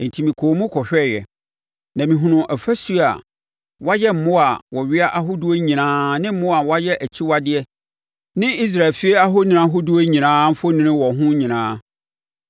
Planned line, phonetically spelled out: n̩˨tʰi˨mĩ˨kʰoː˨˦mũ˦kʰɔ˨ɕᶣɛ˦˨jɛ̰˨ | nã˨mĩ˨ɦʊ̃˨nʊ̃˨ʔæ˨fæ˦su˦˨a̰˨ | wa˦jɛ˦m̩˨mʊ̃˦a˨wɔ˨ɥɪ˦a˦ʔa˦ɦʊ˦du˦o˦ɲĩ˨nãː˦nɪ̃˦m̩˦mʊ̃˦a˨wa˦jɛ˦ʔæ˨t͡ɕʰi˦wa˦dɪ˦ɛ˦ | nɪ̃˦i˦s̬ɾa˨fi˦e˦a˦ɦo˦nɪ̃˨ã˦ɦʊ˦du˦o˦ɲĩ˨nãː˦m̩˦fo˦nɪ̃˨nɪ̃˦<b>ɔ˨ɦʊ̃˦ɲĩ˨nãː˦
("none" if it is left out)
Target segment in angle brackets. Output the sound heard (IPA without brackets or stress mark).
w